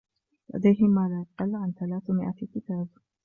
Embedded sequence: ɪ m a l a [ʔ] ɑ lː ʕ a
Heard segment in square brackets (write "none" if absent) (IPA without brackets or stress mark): q